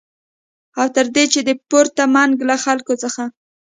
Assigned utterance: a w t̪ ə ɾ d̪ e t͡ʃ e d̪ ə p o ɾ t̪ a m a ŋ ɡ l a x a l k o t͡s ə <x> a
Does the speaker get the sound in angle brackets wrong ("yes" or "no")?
no